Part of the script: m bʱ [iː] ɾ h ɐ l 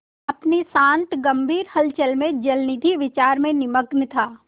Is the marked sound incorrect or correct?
correct